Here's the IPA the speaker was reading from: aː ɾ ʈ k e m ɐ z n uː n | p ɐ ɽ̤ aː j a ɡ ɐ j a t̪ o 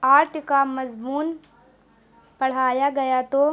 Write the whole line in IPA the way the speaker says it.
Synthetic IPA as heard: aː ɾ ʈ k a m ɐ z m uː n | p ɐ ɽ̤ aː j a ɡ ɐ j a t̪ o